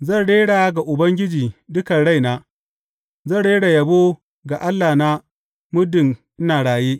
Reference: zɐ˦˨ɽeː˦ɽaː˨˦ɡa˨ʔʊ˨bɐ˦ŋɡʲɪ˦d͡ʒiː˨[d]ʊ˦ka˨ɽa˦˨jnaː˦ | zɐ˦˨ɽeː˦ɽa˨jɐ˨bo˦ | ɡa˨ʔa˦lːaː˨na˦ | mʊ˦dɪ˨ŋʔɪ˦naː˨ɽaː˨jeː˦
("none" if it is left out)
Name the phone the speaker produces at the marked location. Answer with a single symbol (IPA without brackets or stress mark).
d